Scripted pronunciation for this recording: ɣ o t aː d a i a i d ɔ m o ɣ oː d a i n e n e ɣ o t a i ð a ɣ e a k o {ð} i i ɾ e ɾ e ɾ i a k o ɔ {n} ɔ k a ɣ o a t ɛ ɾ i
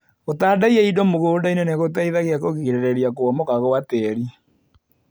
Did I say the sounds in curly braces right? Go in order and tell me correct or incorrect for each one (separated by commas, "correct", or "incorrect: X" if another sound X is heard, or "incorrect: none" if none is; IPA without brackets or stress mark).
incorrect: ɣ, incorrect: m